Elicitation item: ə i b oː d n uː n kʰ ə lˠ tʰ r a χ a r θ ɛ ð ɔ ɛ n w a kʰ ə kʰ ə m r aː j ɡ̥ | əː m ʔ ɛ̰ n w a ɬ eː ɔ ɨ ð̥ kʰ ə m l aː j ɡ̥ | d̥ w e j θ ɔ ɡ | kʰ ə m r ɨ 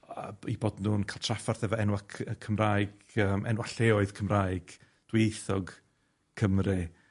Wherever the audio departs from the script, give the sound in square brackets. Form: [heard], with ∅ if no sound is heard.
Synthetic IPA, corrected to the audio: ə i b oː d n uː n kʰ [a] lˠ tʰ r a [f] a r θ ɛ [v] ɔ ɛ n w a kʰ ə kʰ ə m r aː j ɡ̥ | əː m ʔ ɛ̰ n w a ɬ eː ɔ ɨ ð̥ kʰ ə m [r] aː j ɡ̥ | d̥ w e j θ ɔ ɡ | kʰ ə m r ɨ

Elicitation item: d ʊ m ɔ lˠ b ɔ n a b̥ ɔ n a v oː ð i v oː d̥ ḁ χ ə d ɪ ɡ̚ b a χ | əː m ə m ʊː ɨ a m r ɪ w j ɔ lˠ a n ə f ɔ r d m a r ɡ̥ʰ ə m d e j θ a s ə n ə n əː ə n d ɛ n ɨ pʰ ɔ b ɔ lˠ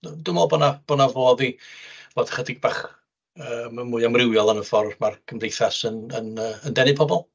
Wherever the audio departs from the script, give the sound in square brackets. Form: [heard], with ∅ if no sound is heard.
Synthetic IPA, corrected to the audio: d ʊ m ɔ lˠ b ɔ n a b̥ ɔ n a v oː ð i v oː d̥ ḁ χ ə d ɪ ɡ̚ b a χ | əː m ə m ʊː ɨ a m r ɪ w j ɔ lˠ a n ə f ɔ r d m a r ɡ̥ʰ ə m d e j θ a s ə n ə n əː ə n d ɛ n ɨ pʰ ɔ b ɔ lˠ

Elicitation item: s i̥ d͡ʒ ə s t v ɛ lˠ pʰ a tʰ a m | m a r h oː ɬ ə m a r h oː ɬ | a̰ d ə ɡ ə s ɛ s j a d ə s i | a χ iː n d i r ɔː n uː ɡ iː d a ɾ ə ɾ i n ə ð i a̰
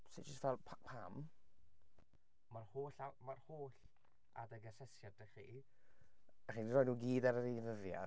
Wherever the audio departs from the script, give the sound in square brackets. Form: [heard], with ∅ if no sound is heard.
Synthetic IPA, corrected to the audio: s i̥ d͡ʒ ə s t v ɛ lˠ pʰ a [pʰ] a m | m a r h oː ɬ [a] m a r h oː ɬ | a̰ d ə ɡ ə s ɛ s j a d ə [χ] i | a χ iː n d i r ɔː n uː ɡ iː d a ɾ ə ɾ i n ə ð [j] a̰

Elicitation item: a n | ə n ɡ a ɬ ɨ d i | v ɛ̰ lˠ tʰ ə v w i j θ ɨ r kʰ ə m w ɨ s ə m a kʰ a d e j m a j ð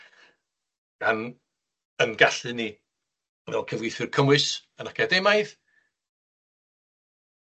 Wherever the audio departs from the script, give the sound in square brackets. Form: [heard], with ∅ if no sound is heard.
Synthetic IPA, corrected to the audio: a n | ə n ɡ a ɬ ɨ [n] i | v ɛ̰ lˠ [kʰ] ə v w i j θ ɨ r kʰ ə m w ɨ s ə [n] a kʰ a d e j m a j ð

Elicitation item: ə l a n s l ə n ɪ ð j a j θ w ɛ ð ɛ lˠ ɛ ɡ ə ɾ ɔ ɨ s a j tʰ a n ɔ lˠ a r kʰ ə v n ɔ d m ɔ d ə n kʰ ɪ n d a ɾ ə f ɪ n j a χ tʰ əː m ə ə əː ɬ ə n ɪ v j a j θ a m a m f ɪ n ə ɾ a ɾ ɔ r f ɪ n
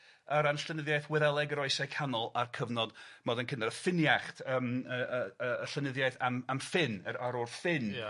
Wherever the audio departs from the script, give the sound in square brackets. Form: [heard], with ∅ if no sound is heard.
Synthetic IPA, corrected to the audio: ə [ɾ] a n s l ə n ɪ ð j a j θ w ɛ ð ɛ lˠ ɛ ɡ ə ɾ ɔ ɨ s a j [kʰ] a n ɔ lˠ a r kʰ ə v n ɔ d m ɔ d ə n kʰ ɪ n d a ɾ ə f ɪ n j a χ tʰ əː m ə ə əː ɬ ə n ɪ [ð] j a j θ a m a m f ɪ n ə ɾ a ɾ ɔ r f ɪ n

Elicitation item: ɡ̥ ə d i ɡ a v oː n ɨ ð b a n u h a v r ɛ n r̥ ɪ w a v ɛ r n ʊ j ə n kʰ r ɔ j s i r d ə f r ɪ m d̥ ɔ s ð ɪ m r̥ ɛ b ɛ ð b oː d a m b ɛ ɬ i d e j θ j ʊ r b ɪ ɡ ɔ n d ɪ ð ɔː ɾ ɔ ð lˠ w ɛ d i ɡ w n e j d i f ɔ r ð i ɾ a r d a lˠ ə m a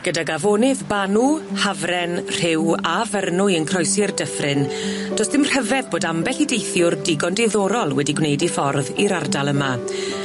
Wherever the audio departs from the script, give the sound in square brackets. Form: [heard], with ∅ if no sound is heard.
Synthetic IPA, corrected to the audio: ɡ̥ ə d [a] ɡ a v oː n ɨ ð b a n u h a v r ɛ n r̥ ɪ w a v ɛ r n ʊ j ə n kʰ r ɔ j s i r d ə f r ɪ [n] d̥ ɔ s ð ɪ m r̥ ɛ [v] ɛ ð b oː d a m b ɛ ɬ i d e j θ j ʊ r [d] ɪ ɡ ɔ n d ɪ ð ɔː ɾ ɔ [∅] lˠ w ɛ d i ɡ w n e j d i f ɔ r ð i ɾ a r d a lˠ ə m a

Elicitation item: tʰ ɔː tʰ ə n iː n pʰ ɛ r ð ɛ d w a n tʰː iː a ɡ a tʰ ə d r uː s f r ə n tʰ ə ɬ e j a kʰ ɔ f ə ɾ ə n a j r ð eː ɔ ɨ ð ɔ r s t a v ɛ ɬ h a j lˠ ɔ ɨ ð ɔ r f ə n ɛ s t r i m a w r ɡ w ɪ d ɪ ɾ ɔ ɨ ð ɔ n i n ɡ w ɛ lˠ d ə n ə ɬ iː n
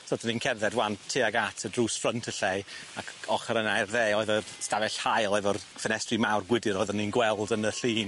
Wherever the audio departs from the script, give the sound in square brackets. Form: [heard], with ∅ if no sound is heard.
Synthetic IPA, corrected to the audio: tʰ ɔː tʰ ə n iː n [kʰ] ɛ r ð ɛ d w a n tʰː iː a ɡ a tʰ ə d r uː s f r ə n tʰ ə ɬ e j a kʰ ɔ [χ] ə ɾ ə n a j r ð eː ɔ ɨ ð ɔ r s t a v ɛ ɬ h a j lˠ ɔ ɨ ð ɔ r f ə n ɛ s t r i m a w r ɡ w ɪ d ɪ ɾ ɔ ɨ ð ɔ n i n ɡ w ɛ lˠ d ə n ə ɬ iː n

